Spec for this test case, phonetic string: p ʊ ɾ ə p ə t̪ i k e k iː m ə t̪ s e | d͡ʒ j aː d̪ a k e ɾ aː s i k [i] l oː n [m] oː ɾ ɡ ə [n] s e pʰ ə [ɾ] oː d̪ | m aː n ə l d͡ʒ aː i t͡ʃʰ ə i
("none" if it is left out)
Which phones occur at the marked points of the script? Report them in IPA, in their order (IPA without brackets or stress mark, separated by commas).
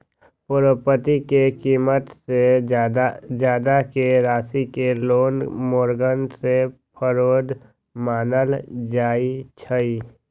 e, m, n, ɾ